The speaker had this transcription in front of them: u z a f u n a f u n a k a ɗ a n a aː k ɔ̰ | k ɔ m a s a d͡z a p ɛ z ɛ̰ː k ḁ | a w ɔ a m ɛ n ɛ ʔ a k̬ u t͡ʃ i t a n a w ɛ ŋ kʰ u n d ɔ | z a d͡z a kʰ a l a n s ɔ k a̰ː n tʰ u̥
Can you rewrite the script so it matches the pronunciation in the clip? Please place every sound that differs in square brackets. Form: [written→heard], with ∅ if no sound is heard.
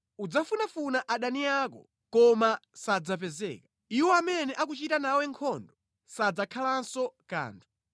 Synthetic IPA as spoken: u [z→d͡z] a f u n a f u n a [k→ʔ] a ɗ a n [a→i] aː k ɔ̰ | k ɔ m a s a d͡z a p ɛ z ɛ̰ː k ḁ | [a→i] w ɔ a m ɛ n ɛ ʔ a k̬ u t͡ʃ i t a n a w ɛ ŋ kʰ [u→ɔ] n d ɔ | [z→s] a d͡z a kʰ a l a n s ɔ k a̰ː n tʰ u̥